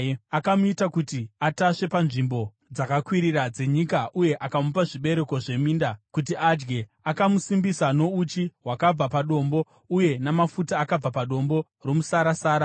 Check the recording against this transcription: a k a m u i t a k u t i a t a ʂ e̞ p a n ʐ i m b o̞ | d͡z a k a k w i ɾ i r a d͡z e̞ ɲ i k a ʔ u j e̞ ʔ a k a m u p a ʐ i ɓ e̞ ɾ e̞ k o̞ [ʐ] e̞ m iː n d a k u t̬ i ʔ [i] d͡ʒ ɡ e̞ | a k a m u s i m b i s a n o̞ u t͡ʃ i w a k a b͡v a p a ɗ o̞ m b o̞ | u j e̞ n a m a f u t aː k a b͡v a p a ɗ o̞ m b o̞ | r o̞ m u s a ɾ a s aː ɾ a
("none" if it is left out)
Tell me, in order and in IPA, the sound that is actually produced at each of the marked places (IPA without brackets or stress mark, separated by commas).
ʐ, a